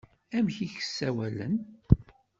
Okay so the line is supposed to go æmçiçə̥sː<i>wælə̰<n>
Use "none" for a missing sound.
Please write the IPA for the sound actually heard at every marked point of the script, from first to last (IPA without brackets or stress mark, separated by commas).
æ, n